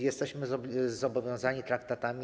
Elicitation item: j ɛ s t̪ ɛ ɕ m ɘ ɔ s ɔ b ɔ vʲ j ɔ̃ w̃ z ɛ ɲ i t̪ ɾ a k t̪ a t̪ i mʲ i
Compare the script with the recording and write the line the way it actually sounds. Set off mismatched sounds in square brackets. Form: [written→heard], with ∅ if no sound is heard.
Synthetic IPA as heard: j ɛ s t̪ ɛ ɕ m ɘ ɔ [s→z] ɔ b ɔ vʲ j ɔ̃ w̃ z [ɛ→a] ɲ i t̪ ɾ a k t̪ a t̪ [i→a] mʲ i